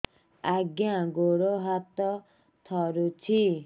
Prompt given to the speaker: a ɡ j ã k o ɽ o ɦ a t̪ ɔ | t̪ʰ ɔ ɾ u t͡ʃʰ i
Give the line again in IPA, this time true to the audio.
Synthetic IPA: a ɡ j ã ɡ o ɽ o ɦ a t̪ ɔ | t̪ʰ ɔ ɾ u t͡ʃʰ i